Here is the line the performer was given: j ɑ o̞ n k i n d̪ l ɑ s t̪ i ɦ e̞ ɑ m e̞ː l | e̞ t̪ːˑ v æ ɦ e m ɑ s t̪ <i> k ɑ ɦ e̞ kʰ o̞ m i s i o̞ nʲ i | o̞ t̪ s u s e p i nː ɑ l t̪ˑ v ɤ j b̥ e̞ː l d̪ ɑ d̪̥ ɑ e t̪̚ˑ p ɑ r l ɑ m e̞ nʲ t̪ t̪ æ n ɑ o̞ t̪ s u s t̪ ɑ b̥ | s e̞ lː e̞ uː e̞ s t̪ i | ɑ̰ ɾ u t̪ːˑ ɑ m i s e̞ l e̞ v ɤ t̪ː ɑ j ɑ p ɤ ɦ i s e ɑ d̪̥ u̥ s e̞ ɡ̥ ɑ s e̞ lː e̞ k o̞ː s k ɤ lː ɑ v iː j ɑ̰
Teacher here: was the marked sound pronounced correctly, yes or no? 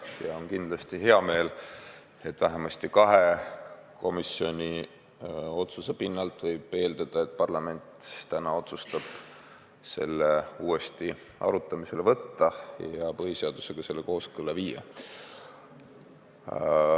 yes